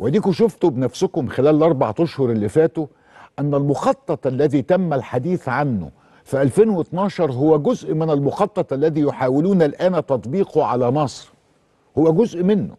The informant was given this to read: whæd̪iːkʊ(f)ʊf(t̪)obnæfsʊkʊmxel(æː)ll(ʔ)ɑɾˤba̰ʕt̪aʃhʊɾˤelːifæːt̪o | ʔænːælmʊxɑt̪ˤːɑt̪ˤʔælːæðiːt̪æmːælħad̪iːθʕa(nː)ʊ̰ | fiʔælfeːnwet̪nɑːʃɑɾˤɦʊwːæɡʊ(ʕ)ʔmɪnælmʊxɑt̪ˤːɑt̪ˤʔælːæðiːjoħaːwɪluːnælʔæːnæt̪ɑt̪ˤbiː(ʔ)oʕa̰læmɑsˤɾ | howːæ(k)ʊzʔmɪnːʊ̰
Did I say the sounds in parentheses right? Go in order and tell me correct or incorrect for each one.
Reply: incorrect, correct, correct, correct, correct, incorrect, incorrect, incorrect

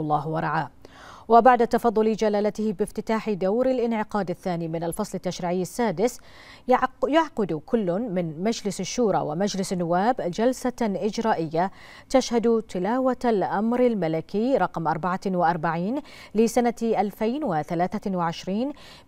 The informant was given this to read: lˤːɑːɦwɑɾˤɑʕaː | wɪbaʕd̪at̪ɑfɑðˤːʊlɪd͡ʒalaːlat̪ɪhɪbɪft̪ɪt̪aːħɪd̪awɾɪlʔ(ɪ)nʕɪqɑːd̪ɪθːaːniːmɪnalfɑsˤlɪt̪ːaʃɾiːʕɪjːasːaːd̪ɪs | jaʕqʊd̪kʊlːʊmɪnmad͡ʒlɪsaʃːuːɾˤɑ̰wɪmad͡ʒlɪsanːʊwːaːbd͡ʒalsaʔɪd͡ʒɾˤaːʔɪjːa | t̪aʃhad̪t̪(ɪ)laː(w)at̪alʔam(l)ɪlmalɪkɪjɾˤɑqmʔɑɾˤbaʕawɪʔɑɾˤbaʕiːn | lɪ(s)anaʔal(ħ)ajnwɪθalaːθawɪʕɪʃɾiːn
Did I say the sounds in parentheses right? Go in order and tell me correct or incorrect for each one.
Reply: correct, correct, correct, incorrect, correct, incorrect

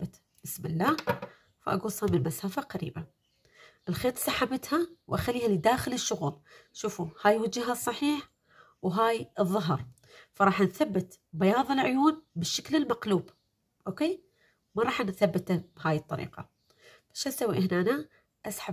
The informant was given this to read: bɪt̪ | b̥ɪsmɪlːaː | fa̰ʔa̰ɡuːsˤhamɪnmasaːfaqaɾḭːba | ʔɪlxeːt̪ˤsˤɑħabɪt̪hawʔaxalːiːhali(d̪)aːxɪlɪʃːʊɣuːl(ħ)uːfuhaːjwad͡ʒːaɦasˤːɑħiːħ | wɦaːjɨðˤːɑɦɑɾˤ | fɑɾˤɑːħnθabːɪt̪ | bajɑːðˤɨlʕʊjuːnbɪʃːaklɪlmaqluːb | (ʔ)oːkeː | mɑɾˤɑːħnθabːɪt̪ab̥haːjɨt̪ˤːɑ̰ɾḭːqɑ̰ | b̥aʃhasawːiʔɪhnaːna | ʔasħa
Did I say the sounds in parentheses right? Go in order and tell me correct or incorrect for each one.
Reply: correct, incorrect, correct

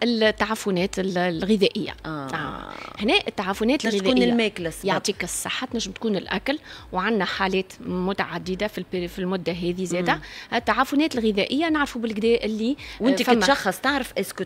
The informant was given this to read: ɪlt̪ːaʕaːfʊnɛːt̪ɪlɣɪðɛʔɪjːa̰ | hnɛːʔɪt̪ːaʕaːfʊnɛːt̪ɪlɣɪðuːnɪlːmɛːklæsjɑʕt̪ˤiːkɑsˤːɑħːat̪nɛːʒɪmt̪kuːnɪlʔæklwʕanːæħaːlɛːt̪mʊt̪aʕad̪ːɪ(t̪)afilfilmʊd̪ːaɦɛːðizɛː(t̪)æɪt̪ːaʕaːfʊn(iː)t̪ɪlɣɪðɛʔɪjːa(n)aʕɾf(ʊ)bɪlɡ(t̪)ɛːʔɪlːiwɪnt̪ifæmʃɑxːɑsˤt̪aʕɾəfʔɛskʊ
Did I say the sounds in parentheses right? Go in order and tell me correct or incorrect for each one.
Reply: incorrect, incorrect, incorrect, correct, incorrect, incorrect

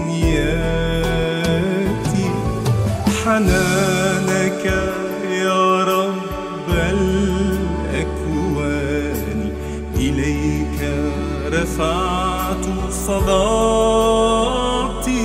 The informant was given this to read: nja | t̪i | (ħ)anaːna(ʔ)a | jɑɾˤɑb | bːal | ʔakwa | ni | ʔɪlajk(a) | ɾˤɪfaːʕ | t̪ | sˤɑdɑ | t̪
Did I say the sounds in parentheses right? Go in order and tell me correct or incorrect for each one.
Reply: correct, incorrect, correct

